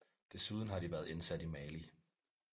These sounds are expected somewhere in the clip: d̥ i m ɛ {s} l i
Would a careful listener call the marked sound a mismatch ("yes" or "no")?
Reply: yes